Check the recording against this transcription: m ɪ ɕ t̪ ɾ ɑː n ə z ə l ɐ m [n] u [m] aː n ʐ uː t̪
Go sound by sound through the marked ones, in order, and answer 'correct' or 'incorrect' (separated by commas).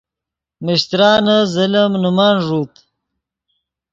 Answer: correct, correct